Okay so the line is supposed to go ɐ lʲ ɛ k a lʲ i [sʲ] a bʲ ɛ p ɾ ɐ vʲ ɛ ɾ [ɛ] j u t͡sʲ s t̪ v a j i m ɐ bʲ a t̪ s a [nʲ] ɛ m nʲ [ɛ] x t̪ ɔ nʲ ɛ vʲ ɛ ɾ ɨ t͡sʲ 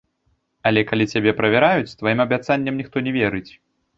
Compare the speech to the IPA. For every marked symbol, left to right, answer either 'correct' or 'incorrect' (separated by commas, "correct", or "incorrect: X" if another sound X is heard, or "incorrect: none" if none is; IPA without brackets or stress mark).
incorrect: t͡sʲ, incorrect: a, incorrect: nʲː, incorrect: i